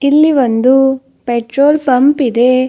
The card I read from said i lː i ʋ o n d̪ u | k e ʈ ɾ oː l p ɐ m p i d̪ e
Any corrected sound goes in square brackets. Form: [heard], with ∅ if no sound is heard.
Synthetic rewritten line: i lː i ʋ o n d̪ u | [p] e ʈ ɾ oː l p ɐ m p i d̪ e